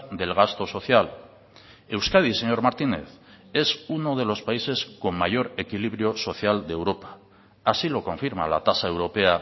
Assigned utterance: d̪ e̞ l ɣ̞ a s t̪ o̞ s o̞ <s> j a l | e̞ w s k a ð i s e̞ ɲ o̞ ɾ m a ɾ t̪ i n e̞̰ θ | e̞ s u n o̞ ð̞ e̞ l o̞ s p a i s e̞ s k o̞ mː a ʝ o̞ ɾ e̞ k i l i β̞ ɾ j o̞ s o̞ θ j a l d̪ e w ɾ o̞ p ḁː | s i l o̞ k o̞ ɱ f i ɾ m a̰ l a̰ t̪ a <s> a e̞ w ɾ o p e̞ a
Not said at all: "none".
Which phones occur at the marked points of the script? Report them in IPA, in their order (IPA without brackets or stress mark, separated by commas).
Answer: θ, s